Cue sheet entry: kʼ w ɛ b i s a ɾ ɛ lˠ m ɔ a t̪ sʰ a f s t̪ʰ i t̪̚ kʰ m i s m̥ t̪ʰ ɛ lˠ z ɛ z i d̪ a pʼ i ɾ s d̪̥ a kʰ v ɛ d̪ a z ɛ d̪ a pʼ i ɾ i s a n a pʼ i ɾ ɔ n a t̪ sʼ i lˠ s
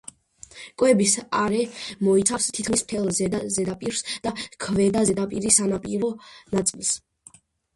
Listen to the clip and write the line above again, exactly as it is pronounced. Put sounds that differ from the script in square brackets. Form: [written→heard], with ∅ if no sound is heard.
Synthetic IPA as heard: kʼ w ɛ b i s a ɾ ɛ [lˠ→∅] m ɔ [a→i] t̪ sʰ a f s t̪ʰ i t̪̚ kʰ m i s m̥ t̪ʰ ɛ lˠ z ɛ z [i→ɛ] d̪ a pʼ i ɾ s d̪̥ a kʰ v ɛ d̪ a z ɛ d̪ a pʼ i ɾ i s a n a pʼ i ɾ ɔ n a t̪ sʼ i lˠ s